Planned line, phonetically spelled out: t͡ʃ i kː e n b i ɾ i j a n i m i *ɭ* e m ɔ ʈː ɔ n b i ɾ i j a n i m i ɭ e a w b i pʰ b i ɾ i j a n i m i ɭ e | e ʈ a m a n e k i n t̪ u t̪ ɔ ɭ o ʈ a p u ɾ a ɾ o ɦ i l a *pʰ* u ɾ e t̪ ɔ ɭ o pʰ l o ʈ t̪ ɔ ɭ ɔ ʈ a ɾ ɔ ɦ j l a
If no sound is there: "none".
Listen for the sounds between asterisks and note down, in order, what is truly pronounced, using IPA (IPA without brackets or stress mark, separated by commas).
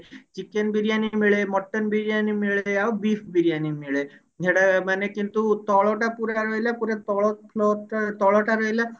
ɭ, p